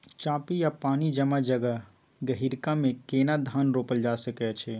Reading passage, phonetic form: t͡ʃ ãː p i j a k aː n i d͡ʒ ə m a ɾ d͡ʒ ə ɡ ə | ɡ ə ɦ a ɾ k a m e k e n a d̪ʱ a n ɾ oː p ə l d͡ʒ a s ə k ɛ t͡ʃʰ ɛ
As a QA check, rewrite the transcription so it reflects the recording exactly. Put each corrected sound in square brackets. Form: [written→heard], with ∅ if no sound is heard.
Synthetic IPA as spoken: t͡ʃ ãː p i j a [k→p] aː n i d͡ʒ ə m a [ɾ→∅] d͡ʒ ə ɡ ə | ɡ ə ɦ [a→i] ɾ k a m e k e n a d̪ʱ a n ɾ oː p ə l d͡ʒ a s ə k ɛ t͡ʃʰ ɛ